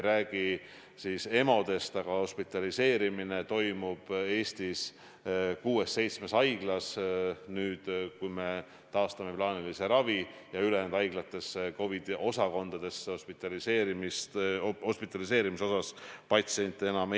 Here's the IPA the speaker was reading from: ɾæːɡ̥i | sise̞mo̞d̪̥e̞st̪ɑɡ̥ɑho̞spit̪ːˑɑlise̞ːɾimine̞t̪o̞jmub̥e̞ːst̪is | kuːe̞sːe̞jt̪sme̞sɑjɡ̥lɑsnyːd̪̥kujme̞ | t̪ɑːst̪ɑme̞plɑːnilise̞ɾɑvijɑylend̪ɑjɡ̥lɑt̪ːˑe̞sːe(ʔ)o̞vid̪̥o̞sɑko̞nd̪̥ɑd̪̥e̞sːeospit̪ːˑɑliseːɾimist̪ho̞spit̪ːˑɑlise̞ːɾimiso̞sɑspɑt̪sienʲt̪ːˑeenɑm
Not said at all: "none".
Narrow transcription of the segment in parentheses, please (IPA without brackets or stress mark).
k